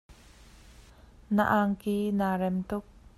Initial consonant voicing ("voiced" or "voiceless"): voiced